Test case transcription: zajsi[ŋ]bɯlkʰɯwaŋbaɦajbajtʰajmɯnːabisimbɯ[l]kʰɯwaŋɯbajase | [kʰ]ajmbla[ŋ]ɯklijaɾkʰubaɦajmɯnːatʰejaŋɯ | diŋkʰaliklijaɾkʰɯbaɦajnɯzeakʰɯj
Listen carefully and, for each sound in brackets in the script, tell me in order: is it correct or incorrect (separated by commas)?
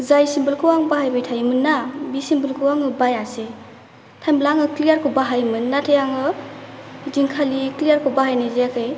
incorrect, correct, incorrect, correct